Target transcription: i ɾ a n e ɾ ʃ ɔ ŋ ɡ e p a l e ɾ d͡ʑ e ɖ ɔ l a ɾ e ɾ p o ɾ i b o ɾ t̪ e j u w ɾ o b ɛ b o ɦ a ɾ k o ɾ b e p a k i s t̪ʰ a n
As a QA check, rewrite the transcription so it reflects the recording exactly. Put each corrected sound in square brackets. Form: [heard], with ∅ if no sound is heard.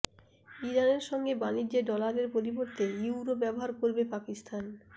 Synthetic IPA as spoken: i ɾ a n e ɾ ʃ ɔ ŋ ɡ e [b] a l [i] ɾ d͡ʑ e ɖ ɔ l a ɾ e ɾ p o ɾ i b o ɾ t̪ e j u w ɾ o b ɛ b o ɦ a ɾ k o ɾ b e p a k i s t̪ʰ a n